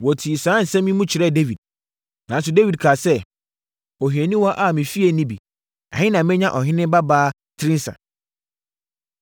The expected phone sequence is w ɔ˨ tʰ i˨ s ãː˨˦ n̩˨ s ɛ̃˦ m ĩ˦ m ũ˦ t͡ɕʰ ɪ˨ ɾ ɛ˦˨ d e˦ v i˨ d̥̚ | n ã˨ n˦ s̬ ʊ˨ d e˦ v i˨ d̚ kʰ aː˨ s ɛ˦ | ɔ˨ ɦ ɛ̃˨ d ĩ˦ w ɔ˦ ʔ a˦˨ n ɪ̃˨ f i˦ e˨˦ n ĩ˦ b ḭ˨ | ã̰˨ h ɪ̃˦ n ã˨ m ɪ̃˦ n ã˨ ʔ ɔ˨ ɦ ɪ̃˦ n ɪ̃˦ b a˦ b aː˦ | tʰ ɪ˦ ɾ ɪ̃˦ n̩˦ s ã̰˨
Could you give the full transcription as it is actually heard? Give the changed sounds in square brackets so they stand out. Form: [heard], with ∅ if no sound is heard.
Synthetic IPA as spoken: w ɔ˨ tʰ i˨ s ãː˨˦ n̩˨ s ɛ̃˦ m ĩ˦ m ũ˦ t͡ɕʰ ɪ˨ ɾ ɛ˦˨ d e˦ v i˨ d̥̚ | n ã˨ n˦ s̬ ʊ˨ d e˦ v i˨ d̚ kʰ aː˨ s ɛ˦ | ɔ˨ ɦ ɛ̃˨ [n] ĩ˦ w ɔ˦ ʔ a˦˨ [m] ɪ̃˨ f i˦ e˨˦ n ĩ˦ b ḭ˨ | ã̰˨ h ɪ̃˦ n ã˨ m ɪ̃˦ [ɲ] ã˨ ʔ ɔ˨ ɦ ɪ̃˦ n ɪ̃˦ b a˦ b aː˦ | tʰ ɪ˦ ɾ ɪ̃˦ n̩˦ s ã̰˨